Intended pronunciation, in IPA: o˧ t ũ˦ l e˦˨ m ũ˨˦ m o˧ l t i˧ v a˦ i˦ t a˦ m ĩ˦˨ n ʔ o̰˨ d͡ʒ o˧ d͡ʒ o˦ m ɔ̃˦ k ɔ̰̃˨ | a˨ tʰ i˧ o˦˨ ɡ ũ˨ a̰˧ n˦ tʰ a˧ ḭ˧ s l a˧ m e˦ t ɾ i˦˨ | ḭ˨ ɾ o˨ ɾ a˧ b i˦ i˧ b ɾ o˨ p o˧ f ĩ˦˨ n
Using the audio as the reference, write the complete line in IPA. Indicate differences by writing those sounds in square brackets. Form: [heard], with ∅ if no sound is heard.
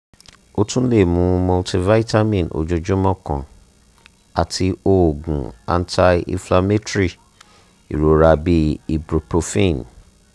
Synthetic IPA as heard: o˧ t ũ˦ l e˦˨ m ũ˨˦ m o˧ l t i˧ v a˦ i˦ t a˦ m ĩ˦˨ n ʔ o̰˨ d͡ʒ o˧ d͡ʒ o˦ m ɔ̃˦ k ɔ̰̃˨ | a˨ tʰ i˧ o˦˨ ɡ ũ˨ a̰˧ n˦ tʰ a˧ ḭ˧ [f] l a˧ m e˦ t ɾ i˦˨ | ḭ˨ ɾ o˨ ɾ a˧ b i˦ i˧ b ɾ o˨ p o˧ f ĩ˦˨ n